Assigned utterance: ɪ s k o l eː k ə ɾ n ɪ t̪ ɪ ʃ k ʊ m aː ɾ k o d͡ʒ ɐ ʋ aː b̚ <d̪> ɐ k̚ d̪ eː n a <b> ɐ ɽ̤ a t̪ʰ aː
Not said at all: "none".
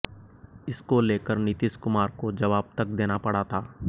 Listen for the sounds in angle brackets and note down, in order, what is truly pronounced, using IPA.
t̪, p

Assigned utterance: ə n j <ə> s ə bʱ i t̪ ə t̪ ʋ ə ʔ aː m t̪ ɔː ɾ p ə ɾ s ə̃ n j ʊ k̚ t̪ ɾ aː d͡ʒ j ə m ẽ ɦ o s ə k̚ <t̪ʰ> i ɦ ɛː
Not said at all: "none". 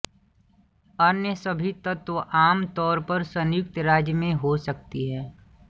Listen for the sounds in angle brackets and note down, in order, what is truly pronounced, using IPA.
ə, t̪

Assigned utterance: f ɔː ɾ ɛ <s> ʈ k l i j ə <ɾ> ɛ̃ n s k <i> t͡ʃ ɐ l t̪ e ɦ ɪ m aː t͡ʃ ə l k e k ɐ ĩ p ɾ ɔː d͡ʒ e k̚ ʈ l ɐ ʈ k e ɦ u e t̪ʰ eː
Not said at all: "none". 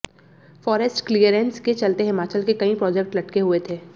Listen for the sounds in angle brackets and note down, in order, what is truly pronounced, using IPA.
s, ɾ, e

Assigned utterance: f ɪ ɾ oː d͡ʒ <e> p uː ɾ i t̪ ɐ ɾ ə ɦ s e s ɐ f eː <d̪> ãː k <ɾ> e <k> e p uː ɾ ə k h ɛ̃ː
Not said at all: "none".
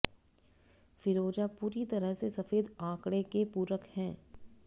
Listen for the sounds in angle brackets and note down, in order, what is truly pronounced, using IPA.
a, d̪, ɽ, k

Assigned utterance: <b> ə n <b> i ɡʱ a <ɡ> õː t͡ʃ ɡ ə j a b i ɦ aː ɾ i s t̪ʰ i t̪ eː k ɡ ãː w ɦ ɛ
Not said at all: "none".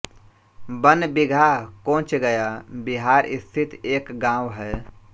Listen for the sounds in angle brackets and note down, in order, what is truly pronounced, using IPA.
b, b, k

